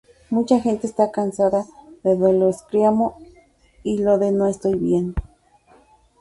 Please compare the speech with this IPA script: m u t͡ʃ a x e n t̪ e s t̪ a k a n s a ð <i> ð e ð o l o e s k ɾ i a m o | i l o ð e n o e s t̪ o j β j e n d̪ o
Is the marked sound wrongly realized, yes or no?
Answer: yes